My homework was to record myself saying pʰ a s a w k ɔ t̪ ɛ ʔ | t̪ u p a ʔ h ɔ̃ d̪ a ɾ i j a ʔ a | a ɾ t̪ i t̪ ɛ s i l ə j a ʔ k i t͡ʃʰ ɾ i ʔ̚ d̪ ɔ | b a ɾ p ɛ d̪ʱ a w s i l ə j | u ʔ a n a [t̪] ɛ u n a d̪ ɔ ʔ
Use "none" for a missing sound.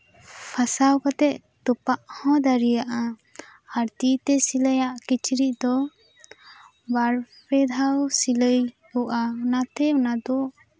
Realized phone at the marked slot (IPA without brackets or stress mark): t̪